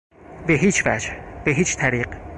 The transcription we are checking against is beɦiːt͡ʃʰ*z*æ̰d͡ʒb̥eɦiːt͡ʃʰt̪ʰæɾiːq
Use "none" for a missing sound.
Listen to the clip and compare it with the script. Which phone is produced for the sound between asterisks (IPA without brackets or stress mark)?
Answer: v